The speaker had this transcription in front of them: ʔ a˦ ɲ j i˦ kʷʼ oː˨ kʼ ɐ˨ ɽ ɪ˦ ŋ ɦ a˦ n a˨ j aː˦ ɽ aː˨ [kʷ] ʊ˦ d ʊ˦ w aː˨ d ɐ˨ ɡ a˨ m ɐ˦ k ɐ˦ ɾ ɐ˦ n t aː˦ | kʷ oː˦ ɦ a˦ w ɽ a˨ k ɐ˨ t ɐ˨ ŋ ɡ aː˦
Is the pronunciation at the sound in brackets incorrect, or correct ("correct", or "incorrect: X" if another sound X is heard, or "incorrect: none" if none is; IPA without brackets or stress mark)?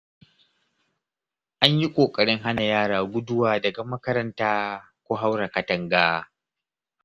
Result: incorrect: ɡʷ